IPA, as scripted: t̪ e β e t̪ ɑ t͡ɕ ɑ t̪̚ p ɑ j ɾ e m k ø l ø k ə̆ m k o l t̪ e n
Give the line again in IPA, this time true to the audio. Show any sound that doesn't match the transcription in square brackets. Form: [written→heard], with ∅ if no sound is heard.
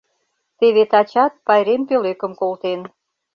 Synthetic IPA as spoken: t̪ e β e t̪ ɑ t͡ɕ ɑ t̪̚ p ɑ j ɾ e m [k→p] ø l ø k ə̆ m k o l t̪ e n